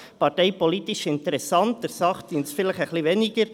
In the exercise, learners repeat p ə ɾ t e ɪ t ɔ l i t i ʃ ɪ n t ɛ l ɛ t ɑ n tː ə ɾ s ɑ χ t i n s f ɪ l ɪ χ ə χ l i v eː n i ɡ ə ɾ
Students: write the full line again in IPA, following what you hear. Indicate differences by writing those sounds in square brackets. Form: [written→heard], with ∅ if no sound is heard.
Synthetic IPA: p [ə→ɑ] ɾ t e ɪ [t→p] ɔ l i t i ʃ ɪ n t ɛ [l→ɾ] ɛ [t→s] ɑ n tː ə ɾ s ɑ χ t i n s f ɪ l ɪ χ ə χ l i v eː n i ɡ ə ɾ

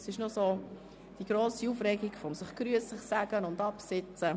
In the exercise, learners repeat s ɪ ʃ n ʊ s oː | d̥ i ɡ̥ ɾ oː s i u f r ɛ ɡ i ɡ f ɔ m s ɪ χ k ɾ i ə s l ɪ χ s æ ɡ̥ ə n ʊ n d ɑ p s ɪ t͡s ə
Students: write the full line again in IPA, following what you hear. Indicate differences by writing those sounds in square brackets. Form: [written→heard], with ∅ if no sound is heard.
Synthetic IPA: s ɪ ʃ n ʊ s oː | d̥ i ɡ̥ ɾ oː s i u f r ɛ ɡ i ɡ f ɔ m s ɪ χ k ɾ [i→y] ə s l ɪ χ s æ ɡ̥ ə n ʊ n d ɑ p s ɪ t͡s ə

